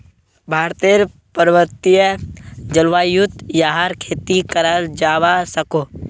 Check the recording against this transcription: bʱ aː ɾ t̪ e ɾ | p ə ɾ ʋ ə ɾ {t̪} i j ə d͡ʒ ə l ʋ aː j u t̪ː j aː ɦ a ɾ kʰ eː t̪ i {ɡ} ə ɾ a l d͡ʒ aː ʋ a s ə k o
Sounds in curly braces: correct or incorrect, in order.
correct, incorrect

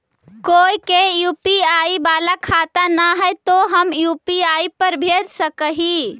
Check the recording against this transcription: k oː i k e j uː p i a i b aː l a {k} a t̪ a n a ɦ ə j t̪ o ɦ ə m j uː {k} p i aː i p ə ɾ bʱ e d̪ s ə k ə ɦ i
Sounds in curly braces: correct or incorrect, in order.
incorrect, incorrect

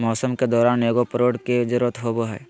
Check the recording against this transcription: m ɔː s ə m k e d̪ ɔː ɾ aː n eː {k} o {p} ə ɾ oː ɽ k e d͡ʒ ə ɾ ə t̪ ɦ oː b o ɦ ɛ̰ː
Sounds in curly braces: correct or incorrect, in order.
incorrect, correct

